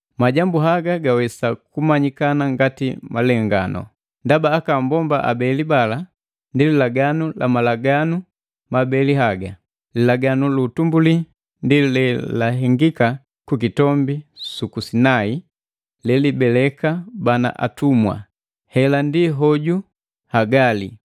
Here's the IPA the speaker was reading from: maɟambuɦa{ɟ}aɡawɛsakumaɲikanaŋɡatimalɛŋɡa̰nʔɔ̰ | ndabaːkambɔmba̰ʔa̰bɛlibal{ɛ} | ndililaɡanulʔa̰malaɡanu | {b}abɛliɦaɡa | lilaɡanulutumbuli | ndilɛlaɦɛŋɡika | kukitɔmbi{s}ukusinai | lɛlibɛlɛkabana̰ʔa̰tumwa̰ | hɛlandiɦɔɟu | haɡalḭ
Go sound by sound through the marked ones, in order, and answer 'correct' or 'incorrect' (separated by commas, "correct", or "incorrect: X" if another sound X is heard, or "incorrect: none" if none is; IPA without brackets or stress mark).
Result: incorrect: ɡ, incorrect: a, incorrect: m, correct